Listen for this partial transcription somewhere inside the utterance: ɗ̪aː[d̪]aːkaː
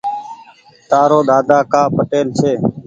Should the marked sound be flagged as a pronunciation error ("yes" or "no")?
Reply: no